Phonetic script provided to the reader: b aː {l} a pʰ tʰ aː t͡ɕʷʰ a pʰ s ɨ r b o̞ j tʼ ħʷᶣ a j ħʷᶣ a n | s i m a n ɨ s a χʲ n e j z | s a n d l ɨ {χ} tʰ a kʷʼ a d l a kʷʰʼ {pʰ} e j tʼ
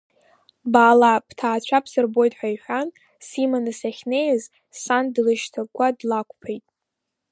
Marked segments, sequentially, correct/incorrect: correct, incorrect, correct

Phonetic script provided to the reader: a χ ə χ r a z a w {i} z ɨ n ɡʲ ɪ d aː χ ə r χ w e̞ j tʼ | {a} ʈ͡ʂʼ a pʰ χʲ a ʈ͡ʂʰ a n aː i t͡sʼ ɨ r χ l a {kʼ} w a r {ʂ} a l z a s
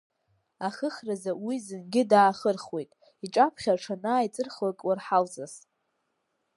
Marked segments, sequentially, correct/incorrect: correct, incorrect, correct, incorrect

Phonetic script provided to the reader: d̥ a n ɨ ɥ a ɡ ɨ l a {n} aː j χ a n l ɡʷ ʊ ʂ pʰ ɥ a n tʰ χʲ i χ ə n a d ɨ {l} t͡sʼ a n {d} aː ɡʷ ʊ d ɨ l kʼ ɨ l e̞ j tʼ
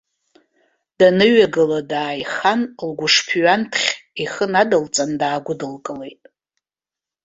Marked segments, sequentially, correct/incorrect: incorrect, correct, correct

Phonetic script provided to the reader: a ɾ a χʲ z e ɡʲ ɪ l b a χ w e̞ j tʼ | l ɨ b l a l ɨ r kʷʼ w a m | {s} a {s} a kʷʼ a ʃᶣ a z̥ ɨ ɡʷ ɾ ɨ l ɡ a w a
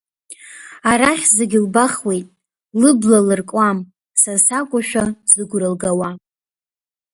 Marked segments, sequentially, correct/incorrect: correct, correct

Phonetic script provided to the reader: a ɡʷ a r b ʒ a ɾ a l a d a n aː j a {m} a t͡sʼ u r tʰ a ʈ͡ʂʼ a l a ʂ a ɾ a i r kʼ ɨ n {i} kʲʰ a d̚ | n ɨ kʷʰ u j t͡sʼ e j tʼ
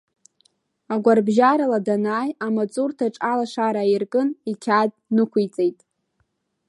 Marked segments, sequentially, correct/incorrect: correct, correct

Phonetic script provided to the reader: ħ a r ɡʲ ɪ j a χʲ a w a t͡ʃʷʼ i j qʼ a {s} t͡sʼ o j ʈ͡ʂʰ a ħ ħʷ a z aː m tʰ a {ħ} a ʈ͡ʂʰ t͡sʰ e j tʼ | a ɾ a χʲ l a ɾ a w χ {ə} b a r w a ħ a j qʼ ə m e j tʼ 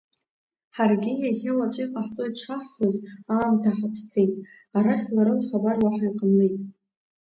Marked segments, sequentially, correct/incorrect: incorrect, correct, incorrect

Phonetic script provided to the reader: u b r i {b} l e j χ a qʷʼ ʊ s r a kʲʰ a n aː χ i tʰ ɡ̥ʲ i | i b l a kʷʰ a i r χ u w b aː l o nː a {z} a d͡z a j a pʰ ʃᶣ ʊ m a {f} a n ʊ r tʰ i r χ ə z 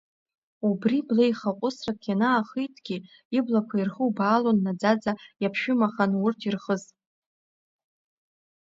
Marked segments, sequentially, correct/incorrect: correct, incorrect, incorrect

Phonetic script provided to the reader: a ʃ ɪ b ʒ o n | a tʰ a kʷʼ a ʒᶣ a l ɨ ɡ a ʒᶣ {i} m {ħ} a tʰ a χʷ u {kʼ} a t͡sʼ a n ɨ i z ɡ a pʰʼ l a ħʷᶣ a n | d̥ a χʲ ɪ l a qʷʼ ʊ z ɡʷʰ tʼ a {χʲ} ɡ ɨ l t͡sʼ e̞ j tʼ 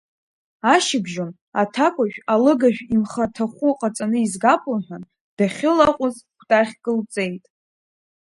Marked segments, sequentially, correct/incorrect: correct, incorrect, incorrect, correct

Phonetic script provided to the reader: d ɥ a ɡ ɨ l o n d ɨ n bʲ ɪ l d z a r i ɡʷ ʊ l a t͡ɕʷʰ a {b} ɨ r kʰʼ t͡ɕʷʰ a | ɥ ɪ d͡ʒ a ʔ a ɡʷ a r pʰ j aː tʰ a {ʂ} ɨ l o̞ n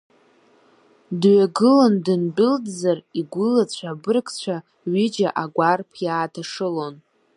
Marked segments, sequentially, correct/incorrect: correct, correct

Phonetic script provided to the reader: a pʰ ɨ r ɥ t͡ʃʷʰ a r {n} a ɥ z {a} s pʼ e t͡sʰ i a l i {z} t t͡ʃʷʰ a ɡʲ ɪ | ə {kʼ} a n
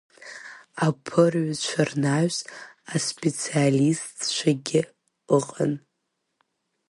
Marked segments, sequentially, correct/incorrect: correct, correct, incorrect, incorrect

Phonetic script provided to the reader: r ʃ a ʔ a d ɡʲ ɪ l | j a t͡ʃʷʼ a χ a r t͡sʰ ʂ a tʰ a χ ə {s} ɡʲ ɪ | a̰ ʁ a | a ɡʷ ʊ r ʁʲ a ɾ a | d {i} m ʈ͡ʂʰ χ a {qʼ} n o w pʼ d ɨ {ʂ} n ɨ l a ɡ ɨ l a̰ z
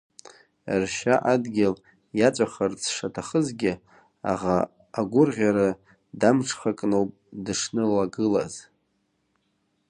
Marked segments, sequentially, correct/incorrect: incorrect, incorrect, incorrect, correct

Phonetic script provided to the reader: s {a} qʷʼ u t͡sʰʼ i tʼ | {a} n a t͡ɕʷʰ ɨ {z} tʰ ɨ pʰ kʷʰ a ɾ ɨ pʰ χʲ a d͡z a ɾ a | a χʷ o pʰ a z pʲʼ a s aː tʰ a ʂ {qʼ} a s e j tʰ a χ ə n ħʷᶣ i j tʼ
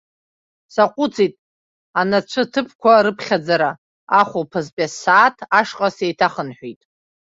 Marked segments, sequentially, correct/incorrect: correct, correct, incorrect, correct

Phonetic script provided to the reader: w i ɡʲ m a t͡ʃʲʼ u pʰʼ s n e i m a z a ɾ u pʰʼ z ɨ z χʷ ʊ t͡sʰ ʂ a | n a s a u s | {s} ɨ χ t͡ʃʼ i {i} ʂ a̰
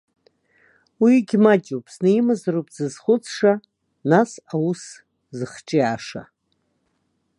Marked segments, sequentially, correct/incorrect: incorrect, incorrect

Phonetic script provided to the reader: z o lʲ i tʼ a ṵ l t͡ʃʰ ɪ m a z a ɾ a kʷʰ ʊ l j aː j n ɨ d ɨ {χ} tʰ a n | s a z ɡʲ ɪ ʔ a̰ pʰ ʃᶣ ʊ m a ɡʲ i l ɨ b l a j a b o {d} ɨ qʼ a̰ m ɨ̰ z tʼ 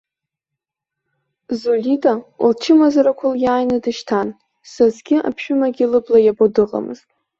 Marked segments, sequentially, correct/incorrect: incorrect, correct

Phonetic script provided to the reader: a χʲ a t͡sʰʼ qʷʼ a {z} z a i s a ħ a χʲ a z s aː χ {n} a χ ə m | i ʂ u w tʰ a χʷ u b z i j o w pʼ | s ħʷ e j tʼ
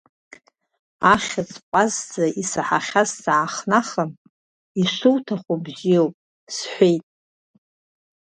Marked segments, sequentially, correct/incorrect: correct, correct

